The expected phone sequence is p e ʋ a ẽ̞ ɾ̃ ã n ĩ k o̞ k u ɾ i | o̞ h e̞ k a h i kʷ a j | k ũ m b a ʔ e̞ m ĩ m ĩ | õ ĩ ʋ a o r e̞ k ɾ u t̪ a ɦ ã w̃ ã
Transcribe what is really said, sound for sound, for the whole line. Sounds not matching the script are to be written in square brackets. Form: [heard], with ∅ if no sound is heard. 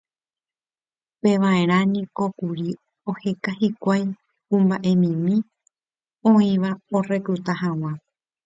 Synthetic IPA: p e ʋ a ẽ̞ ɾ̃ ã n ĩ k o̞ k u ɾ i | o̞ h e̞ k a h i kʷ a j | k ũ m b a ʔ e̞ m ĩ m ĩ | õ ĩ ʋ a o r e̞ k ɾ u t̪ a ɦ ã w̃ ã